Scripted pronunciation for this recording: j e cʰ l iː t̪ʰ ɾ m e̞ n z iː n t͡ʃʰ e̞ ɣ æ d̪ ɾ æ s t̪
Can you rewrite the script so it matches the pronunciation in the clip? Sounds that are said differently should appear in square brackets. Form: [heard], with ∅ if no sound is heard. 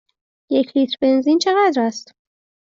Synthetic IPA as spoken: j e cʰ l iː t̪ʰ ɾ [b] e̞ n z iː n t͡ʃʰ e̞ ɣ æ d̪ ɾ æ s t̪